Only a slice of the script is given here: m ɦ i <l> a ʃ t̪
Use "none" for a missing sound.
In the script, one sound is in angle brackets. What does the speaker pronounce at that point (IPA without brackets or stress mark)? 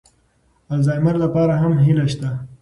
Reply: l